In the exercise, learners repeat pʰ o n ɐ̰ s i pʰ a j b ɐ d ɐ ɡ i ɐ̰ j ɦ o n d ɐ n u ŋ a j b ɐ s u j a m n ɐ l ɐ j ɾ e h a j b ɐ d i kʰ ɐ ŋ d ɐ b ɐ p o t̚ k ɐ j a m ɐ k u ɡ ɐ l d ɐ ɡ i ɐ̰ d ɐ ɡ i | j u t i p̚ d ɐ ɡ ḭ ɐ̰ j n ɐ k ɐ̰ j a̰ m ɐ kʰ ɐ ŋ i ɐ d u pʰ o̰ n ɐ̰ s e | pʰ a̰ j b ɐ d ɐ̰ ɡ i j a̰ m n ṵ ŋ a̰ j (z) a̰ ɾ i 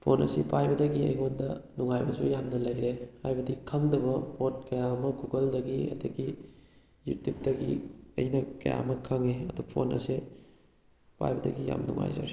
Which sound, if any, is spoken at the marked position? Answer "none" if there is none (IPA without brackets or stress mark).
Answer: z